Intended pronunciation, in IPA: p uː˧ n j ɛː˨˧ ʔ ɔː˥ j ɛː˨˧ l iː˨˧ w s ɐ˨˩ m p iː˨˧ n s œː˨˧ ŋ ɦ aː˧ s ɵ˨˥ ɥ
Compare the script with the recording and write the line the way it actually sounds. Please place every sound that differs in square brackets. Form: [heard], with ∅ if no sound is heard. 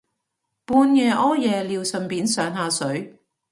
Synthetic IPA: p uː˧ n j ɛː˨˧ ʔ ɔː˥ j ɛː˨˧ l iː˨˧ w s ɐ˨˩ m p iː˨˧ n s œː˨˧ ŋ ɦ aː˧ s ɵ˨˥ ɥ